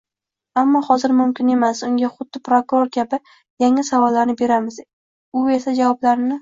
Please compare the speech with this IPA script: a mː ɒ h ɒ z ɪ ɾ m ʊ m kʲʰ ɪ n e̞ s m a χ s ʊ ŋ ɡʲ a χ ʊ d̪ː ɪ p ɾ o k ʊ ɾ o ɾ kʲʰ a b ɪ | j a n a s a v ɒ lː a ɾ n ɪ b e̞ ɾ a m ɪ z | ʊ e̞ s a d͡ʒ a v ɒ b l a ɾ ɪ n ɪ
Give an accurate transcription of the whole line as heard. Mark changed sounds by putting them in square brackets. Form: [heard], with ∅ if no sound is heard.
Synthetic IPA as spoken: a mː ɒ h ɒ z ɪ ɾ m ʊ m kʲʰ ɪ n e̞ [∅] m a [∅] s ʊ ŋ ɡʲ a χ ʊ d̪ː ɪ p ɾ o k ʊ ɾ o ɾ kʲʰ a b ɪ | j a [ŋ] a s a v ɒ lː a ɾ n ɪ b e̞ ɾ a m ɪ z | ʊ e̞ s a d͡ʒ a v ɒ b l a ɾ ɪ n ɪ